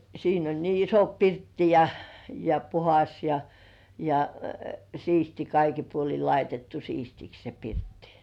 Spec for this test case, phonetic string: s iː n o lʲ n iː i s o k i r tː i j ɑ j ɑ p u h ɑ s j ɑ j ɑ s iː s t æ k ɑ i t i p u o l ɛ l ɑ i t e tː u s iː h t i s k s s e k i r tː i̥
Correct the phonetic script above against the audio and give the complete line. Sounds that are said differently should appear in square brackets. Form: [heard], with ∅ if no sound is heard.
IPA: s iː n o lʲ n iː i s o [p] i r tː i j ɑ j ɑ p u h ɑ s j ɑ j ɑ s iː s t [i] k ɑ i [k] i p u o l [i] l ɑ i t e tː u s iː [s] t i [∅] k s s e [p] i r tː i̥